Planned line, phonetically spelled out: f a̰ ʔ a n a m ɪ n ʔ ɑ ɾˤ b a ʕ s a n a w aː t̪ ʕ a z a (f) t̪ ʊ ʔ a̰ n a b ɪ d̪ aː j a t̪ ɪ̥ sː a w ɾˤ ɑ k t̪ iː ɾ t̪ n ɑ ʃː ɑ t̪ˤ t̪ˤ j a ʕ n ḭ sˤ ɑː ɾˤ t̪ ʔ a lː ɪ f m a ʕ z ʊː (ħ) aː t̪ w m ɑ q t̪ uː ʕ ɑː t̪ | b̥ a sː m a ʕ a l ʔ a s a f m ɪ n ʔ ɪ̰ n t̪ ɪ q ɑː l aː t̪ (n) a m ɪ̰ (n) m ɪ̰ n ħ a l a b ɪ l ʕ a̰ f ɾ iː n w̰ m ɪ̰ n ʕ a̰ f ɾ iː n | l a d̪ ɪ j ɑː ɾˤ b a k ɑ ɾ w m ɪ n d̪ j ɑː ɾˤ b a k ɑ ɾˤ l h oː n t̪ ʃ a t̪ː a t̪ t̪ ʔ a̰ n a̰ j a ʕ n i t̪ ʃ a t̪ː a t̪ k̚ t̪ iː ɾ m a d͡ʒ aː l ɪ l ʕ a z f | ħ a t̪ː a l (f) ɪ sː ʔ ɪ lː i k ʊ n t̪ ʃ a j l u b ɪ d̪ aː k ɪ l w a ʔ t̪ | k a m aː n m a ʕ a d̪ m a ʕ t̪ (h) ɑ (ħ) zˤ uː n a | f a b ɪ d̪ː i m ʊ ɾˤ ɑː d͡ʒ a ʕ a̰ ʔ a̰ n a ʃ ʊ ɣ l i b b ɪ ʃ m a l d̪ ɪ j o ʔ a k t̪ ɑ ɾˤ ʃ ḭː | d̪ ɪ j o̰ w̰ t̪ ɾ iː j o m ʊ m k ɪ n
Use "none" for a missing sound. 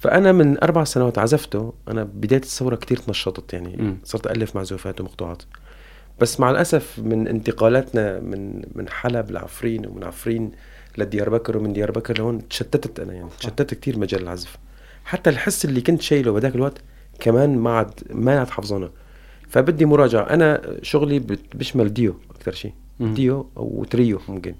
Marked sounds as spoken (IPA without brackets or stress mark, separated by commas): f, f, n, n, ħ, ħ, f